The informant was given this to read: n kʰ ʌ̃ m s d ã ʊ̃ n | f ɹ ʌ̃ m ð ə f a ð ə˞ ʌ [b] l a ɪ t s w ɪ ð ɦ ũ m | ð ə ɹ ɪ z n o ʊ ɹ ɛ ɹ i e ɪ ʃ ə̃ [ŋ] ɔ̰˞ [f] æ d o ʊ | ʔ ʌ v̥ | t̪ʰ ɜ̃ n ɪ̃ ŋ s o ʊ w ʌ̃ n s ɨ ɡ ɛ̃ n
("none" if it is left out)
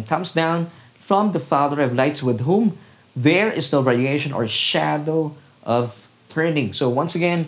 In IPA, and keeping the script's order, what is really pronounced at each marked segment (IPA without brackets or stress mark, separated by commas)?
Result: v, n, ʃ